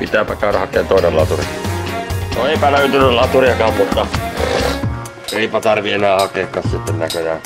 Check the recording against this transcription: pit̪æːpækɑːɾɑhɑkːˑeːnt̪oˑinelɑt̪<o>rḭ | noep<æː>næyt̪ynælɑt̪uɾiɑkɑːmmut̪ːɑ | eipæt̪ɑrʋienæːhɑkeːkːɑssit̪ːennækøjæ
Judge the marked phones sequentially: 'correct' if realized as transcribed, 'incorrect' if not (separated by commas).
incorrect, incorrect